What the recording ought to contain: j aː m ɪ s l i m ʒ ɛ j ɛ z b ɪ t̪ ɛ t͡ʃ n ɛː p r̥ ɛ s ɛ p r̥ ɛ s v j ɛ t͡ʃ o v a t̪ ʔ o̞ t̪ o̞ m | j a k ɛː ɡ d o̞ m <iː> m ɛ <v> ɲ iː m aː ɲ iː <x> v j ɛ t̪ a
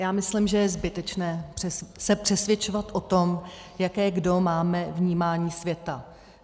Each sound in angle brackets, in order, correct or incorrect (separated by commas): incorrect, correct, incorrect